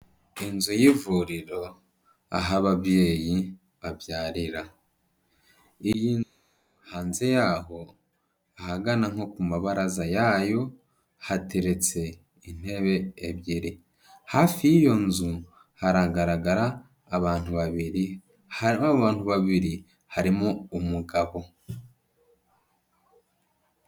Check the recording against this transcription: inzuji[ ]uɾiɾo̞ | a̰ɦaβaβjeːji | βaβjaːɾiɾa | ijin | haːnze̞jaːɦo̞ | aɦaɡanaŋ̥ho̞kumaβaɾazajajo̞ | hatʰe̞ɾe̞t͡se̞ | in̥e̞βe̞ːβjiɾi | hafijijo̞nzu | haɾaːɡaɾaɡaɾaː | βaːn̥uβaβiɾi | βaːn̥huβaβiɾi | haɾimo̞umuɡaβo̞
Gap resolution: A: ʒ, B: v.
B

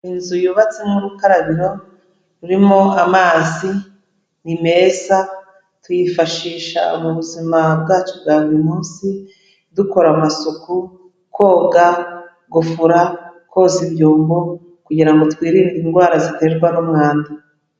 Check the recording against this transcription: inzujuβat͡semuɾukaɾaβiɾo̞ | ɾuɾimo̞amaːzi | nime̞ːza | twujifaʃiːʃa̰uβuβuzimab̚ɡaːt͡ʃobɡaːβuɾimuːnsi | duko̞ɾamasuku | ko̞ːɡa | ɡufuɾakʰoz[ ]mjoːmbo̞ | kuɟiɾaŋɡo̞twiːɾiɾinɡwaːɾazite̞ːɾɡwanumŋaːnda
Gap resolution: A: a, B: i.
B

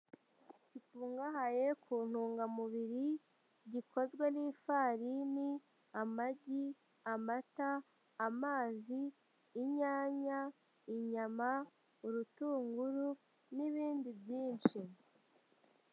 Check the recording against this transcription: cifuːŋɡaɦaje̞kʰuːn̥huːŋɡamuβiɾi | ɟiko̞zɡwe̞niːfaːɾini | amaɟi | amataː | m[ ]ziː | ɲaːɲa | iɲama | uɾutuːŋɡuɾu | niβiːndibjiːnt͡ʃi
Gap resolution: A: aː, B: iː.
A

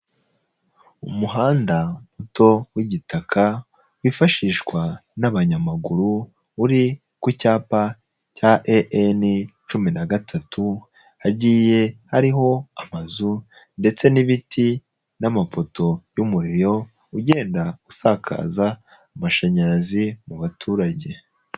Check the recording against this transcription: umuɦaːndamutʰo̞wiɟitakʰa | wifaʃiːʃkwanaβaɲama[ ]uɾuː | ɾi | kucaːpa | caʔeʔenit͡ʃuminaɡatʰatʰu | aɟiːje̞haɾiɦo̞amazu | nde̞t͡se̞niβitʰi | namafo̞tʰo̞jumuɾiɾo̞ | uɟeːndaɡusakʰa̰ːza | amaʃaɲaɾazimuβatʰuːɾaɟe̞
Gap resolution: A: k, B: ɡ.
B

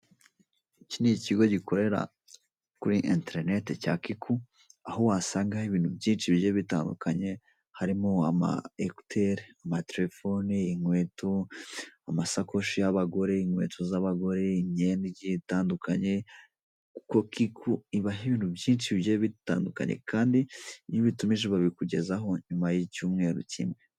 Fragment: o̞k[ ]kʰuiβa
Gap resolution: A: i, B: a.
A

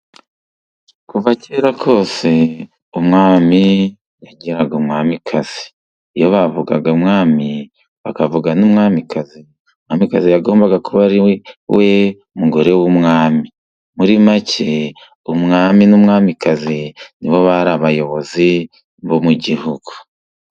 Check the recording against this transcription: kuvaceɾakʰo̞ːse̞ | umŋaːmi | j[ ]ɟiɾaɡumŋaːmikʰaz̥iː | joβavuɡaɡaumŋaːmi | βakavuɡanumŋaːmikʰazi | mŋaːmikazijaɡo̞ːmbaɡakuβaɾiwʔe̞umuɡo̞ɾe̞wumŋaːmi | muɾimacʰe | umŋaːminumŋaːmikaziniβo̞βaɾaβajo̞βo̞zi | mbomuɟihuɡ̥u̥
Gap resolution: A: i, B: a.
B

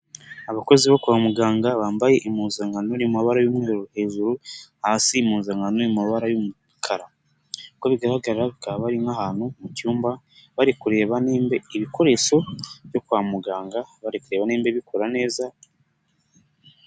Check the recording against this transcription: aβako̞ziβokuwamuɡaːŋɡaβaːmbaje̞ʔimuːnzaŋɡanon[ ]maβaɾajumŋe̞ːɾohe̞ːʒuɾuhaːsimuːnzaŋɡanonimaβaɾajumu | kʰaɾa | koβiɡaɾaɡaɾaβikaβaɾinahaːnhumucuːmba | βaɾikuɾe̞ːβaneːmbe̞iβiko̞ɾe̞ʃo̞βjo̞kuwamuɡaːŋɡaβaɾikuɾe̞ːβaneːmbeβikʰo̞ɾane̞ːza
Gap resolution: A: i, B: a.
A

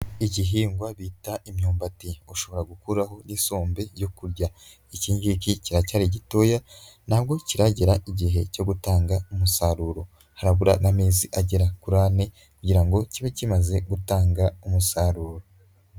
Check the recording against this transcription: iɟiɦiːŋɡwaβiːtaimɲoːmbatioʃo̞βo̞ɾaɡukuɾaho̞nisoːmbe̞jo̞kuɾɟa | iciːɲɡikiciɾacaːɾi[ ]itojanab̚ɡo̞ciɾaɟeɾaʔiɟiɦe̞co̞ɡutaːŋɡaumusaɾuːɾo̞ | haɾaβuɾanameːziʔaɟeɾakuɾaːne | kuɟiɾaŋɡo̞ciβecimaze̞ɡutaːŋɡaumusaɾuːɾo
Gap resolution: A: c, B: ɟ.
B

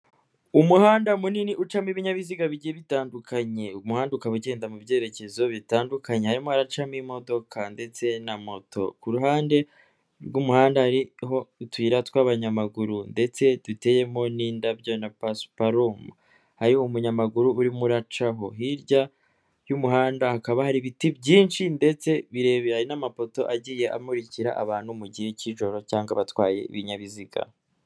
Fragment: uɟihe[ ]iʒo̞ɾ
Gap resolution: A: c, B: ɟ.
A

